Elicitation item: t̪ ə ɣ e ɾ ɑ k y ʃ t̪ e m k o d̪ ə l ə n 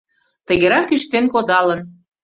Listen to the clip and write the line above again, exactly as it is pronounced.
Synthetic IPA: t̪ ə ɣ e ɾ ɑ k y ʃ t̪ e n k o d̪ ɑ l ə n